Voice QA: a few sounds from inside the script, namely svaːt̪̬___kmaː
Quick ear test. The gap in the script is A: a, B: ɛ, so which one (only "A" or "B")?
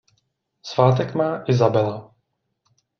B